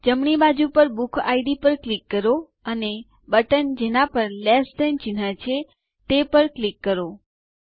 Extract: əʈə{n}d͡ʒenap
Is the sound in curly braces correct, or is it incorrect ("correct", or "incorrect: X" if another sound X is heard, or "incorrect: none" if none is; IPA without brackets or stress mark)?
correct